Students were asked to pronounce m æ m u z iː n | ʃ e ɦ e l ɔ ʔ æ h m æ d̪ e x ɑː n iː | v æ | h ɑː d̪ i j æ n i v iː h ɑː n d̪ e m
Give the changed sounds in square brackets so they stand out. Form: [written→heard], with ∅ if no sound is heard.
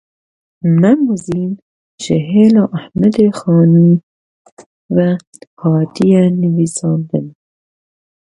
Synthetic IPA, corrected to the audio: m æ m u z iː n | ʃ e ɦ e l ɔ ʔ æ h m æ d̪ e x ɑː n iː | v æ | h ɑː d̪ i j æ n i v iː [h→s] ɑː n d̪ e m

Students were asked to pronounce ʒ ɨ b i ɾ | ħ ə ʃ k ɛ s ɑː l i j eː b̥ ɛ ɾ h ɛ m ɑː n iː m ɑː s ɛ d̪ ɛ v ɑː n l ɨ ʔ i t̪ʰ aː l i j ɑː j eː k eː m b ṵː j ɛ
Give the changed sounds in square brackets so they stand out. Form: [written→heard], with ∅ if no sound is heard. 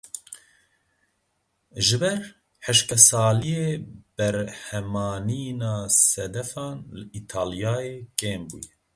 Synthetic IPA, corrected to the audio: ʒ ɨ b [i→ɛ] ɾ | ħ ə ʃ k ɛ s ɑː l i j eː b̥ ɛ ɾ h ɛ m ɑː n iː [m→n] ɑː s ɛ d̪ ɛ [v→f] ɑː n l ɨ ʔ i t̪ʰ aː l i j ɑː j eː k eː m b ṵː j ɛ

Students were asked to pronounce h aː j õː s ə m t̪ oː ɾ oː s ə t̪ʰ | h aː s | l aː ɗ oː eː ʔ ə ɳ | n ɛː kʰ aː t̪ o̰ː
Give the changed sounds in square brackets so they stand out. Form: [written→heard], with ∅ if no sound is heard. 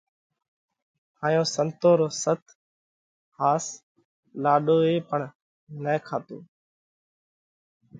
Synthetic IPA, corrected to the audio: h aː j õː s ə [m→n] t̪ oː ɾ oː s ə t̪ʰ | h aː s | l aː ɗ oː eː [ʔ→p] ə ɳ | n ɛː kʰ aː t̪ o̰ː

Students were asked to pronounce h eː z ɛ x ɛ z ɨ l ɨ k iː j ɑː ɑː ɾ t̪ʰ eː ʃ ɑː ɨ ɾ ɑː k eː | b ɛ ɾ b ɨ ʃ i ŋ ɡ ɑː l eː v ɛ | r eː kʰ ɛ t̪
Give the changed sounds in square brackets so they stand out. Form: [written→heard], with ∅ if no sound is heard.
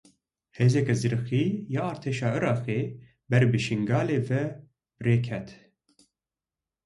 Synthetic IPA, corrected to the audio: h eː z ɛ [x→k] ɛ z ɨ [l→ɾ] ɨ [k→x] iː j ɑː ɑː ɾ t̪ʰ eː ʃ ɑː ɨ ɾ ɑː [k→x] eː | b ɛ ɾ b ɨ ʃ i ŋ ɡ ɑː l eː v ɛ | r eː kʰ ɛ t̪

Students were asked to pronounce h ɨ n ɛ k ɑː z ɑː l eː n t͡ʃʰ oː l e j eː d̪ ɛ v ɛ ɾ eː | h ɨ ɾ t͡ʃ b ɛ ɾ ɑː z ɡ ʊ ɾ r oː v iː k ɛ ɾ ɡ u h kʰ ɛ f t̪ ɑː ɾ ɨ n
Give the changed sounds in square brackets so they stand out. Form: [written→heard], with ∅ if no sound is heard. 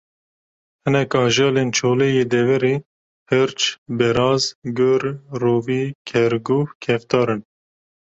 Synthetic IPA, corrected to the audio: h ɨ n ɛ k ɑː [z→ʒ] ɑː l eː n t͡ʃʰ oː l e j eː d̪ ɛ v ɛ ɾ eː | h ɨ ɾ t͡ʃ b ɛ ɾ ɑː z ɡ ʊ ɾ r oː v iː [k→kʰ] ɛ ɾ ɡ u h kʰ ɛ f t̪ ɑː ɾ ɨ n

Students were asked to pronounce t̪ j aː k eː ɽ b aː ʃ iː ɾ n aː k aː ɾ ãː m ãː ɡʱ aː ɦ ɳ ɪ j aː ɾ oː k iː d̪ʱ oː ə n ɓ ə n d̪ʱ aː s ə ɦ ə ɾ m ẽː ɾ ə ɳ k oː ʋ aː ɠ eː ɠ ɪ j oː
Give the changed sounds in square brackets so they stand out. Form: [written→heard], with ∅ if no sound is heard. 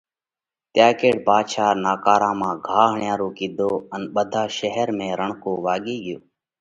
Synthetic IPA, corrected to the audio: t̪ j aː k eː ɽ b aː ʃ [iː→aː] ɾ n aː k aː ɾ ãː m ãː ɡʱ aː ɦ ɳ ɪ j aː ɾ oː k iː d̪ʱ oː ə n ɓ ə [n→∅] d̪ʱ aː [s→ʃ] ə ɦ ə ɾ m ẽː ɾ ə ɳ k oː ʋ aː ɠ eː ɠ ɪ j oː

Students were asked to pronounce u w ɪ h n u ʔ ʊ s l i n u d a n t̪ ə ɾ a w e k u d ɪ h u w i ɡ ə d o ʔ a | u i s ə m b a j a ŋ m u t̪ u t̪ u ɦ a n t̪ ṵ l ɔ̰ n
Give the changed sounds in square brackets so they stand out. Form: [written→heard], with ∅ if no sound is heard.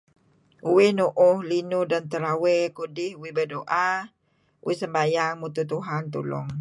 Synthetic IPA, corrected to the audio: u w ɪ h n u ʔ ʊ [s→h] l i n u d a n t̪ ə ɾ a w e k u d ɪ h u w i [ɡ→b] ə d o ʔ a | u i s ə m b a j a ŋ m u t̪ u t̪ u ɦ a n t̪ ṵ l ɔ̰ [n→ŋ]

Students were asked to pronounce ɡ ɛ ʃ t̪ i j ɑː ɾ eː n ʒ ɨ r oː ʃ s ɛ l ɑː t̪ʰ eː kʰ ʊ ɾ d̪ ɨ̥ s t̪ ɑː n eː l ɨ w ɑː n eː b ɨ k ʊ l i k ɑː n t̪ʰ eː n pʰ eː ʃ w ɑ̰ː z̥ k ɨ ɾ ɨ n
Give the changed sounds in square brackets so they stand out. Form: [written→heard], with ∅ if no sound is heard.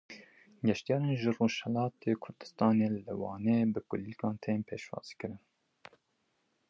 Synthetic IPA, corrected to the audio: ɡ ɛ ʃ t̪ i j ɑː ɾ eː n ʒ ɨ r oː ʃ [s→h] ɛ l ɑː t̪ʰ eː kʰ ʊ ɾ d̪ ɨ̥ s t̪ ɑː n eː l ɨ w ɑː n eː b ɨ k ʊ l i k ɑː n t̪ʰ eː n pʰ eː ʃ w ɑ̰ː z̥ k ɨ ɾ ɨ n

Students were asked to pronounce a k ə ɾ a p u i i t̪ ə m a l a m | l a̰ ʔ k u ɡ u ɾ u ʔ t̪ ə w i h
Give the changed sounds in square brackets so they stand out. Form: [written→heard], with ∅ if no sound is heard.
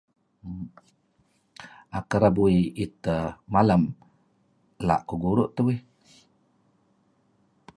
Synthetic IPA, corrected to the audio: a k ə ɾ a [p→b] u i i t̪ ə m a l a m | l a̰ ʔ k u ɡ u ɾ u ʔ t̪ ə w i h

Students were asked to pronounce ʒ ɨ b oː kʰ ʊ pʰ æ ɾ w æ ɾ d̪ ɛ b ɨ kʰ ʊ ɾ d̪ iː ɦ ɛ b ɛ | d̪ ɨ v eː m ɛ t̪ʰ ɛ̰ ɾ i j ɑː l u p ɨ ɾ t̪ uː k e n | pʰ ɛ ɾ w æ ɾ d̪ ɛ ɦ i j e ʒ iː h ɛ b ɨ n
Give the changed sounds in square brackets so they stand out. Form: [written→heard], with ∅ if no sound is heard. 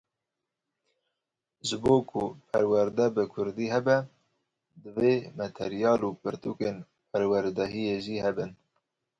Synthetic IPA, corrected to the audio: ʒ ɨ b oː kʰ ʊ pʰ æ ɾ w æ ɾ d̪ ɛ b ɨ kʰ ʊ ɾ d̪ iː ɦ ɛ b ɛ | d̪ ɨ v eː m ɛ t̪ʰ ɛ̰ ɾ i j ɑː l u p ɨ ɾ t̪ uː k e n | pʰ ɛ ɾ w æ ɾ d̪ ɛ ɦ i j e ʒ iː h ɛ b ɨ n

